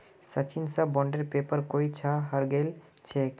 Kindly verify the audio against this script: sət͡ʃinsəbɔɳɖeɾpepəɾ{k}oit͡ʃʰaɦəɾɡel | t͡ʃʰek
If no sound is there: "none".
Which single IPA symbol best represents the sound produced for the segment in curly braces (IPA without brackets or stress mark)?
k